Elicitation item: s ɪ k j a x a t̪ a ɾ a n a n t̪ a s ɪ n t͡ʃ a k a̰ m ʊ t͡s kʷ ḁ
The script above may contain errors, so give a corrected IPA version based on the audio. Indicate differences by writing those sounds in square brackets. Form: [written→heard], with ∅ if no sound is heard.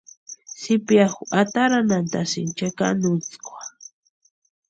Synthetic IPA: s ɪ [k→p] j a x a t̪ a ɾ a n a n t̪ a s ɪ n t͡ʃ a k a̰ [m→n] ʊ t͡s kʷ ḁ